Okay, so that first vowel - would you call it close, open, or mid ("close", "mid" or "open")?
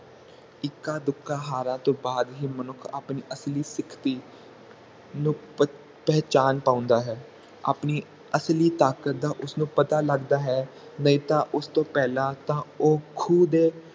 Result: close